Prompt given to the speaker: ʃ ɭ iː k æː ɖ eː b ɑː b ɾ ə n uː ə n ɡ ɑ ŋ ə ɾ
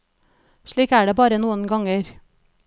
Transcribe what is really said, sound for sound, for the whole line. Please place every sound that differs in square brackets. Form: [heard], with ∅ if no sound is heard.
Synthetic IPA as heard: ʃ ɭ iː k æː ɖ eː b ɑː [∅] ɾ ə n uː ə n ɡ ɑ ŋ ə ɾ